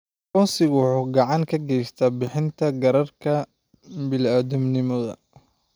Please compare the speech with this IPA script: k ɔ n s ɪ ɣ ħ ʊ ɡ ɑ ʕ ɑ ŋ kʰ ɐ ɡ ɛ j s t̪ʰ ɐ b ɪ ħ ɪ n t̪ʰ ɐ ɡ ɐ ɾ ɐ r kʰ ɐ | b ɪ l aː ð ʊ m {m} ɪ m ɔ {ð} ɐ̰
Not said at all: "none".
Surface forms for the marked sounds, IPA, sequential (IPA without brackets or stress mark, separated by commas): n, ð